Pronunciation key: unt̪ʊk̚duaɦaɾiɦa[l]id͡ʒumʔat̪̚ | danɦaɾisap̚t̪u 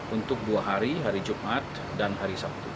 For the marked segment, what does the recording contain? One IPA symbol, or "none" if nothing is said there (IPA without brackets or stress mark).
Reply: ɾ